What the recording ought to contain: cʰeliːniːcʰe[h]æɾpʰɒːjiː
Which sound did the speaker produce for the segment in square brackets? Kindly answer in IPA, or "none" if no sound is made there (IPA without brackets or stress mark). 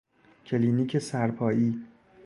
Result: s